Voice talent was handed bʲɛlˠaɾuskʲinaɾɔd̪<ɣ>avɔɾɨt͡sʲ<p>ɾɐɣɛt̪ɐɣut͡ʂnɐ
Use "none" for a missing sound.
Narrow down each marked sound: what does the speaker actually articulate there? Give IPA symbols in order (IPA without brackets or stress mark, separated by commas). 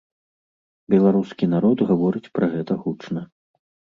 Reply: ɣ, p